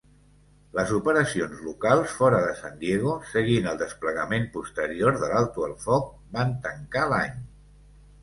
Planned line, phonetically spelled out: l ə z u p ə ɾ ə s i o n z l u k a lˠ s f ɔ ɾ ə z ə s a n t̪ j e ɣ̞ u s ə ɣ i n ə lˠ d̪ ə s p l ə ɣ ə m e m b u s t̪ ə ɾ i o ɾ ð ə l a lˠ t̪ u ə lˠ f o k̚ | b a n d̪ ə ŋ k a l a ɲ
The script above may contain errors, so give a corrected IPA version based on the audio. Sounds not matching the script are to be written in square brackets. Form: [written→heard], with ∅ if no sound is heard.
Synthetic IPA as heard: l ə z u p ə ɾ ə s i o n z l u k a lˠ s f ɔ ɾ ə [z→ð] ə s a n [t̪→d̪] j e ɣ̞ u s ə ɣ i n ə lˠ d̪ ə s p l ə ɣ ə m e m [b→p] u s t̪ ə ɾ i o ɾ ð ə l a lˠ t̪ u ə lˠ f [o→ɔ] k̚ | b a n [d̪→t̪] ə ŋ k a l a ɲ

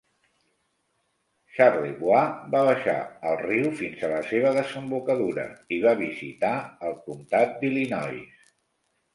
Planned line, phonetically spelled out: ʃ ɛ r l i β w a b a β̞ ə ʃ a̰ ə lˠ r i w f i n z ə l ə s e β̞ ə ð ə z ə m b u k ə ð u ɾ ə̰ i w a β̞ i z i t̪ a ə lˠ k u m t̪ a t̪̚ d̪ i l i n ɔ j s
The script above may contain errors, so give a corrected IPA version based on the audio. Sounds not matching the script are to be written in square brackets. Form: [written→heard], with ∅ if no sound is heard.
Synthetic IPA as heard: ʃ [ɛ→a] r l i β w a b a β̞ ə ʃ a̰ ə lˠ r i w f i n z ə l ə s e β̞ ə ð ə z ə m b u k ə ð u ɾ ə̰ i [w→β] a β̞ i z i t̪ a ə lˠ k u m t̪ a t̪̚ d̪ i l i n ɔ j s

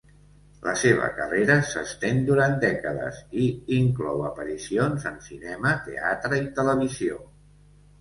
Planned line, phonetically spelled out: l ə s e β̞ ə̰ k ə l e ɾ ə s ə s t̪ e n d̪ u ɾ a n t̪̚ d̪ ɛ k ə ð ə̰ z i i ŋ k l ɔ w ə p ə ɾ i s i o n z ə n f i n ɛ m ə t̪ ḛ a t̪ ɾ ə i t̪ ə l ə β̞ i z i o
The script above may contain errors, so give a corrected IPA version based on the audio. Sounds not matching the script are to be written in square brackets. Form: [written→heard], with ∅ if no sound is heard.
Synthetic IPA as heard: l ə s e β̞ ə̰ k ə [l→r] e ɾ ə s ə s t̪ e n d̪ u ɾ a n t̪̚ d̪ ɛ k ə ð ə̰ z i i ŋ k l ɔ w ə p ə ɾ i s i o n z ə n [f→s] i n ɛ m ə t̪ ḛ a t̪ ɾ ə i t̪ ə l ə β̞ i z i o

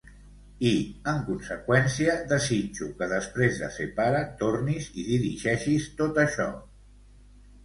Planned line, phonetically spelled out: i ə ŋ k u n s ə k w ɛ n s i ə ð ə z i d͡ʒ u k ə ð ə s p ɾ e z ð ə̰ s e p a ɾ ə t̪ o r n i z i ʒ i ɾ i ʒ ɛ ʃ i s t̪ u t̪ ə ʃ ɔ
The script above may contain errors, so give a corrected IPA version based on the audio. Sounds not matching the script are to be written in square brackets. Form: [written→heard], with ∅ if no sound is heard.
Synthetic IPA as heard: i ə ŋ k u n s ə k w ɛ n s i ə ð ə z i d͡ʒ u k ə ð ə s p ɾ e z ð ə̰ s e p a ɾ ə t̪ o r n i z i [ʒ→ð] i ɾ i ʒ ɛ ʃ i s t̪ [u→o] t̪ ə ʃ ɔ

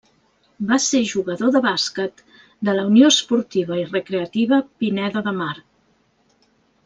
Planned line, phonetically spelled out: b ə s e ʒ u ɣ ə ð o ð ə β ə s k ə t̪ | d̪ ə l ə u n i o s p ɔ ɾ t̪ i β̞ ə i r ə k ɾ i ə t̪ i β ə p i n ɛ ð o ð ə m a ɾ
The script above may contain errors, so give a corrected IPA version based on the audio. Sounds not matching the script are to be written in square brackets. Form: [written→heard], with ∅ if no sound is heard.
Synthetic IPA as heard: b [ə→a] s e ʒ u ɣ ə ð o ð ə β [ə→a] s k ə t̪ | d̪ ə l ə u n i o s p [ɔ→u] ɾ t̪ i β̞ ə i r ə k ɾ [i→e] ə t̪ i β ə p i n ɛ ð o ð ə m a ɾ

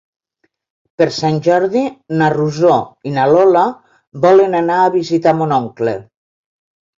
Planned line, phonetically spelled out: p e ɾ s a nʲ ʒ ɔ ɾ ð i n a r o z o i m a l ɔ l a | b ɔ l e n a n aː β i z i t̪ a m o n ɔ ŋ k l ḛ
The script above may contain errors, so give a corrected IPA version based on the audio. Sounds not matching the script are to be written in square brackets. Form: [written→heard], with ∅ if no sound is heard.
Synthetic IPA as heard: p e ɾ s a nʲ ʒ ɔ ɾ ð i n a r [o→u] z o i [m→n] a l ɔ l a | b ɔ l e n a n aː β i z i t̪ a m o n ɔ ŋ k l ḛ

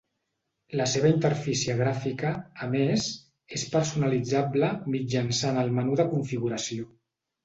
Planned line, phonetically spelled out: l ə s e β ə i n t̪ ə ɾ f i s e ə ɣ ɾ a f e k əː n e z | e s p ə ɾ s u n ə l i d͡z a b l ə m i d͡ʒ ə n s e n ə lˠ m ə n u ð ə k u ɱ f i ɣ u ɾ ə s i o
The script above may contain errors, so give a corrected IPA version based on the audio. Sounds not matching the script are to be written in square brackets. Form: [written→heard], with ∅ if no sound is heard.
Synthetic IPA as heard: l ə s e β ə i n t̪ ə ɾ f i s [e→i] ə ɣ ɾ a f [e→i] k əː [n→m] e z | e s p ə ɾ s u n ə l i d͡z a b l ə m i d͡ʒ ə n s [e→a] n ə lˠ m ə n u ð ə k u ɱ f i ɣ u ɾ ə s i o

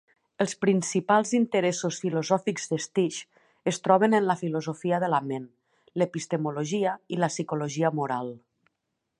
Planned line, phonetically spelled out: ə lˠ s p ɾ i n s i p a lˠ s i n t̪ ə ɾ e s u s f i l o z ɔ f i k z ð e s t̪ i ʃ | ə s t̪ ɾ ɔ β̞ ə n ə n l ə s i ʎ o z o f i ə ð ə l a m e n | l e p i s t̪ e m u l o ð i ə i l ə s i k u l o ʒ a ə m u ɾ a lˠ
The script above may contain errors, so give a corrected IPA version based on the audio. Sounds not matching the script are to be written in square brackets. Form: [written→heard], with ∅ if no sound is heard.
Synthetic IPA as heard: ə lˠ s p ɾ i n s i p a lˠ [s→z] i n t̪ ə ɾ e s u s f i l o z ɔ f i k z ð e s t̪ i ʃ | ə s t̪ ɾ ɔ β̞ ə n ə n l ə [s→f] i [ʎ→l] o z o f i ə ð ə l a m e n | l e p i s t̪ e m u l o [ð→ʒ] i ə i l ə s i k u l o ʒ [a→i] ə m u ɾ a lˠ

